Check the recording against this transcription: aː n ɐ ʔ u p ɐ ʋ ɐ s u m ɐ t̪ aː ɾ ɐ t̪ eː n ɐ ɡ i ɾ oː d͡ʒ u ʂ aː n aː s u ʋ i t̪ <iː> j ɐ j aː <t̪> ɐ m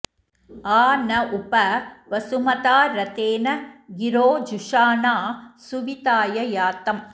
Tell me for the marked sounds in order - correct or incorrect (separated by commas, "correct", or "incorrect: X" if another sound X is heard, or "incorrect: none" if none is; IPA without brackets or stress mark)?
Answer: incorrect: aː, correct